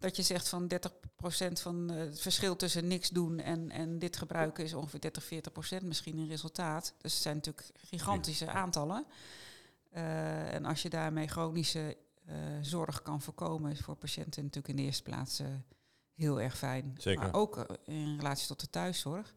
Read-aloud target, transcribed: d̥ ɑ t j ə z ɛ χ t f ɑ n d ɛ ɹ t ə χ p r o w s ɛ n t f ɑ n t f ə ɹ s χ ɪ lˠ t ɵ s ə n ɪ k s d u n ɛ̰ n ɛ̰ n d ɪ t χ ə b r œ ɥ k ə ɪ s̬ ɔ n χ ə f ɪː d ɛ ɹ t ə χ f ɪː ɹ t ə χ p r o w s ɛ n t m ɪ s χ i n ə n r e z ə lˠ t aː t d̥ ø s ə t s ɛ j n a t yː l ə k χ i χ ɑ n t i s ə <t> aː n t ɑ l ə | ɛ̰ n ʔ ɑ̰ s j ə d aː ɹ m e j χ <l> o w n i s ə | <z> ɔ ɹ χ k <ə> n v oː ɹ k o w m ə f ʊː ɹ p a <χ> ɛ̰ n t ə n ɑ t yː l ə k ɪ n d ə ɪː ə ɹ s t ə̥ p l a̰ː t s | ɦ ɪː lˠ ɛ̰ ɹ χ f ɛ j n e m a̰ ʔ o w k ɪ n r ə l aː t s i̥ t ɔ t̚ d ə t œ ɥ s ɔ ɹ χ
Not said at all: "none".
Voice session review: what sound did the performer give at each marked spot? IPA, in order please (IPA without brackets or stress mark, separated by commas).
ʔ, r, z, ɑ, ʃ